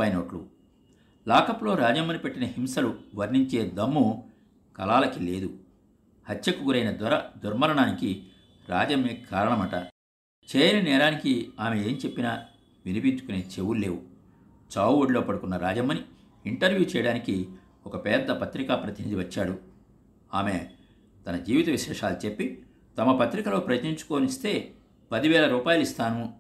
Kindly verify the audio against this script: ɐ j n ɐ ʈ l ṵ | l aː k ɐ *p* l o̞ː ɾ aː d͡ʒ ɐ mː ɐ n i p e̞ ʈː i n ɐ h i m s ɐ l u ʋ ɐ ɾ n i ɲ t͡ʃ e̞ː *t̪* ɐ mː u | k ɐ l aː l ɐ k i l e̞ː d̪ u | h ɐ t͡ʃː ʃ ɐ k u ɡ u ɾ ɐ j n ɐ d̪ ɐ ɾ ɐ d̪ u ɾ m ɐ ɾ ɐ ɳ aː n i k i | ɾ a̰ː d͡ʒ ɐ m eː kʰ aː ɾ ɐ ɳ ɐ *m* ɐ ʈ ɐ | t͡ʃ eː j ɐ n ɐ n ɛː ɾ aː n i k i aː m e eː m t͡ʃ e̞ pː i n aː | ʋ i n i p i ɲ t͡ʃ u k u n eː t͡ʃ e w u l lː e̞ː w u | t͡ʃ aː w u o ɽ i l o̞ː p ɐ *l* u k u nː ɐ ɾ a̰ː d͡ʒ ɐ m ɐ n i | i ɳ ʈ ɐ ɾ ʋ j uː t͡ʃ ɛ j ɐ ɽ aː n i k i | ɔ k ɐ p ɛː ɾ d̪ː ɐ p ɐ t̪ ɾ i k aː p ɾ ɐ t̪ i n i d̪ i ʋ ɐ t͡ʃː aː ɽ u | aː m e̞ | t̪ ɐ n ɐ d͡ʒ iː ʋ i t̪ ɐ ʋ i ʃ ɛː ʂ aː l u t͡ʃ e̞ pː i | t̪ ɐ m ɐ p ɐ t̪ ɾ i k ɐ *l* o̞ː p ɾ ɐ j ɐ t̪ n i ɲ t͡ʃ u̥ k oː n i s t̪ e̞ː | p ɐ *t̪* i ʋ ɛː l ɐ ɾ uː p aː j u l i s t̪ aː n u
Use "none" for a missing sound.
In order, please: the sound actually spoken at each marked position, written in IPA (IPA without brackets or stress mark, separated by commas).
p, d̪, m, ɽ, l, d̪